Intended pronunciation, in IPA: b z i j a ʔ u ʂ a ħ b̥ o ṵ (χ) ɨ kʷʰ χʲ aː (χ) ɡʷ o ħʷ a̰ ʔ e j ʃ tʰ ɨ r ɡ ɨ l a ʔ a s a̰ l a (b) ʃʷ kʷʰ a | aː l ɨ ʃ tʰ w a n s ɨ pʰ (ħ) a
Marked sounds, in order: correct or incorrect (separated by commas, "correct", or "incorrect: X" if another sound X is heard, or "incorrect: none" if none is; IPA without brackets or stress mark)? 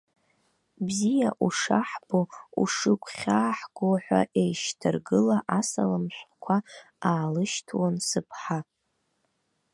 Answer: incorrect: ʂ, incorrect: ħ, incorrect: m, correct